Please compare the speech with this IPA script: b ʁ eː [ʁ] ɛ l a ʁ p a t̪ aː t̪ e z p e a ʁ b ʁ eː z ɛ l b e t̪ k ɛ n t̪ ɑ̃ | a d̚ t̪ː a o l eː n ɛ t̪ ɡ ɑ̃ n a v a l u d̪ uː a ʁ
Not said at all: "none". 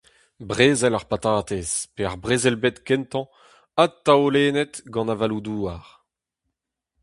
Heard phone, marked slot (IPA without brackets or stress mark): z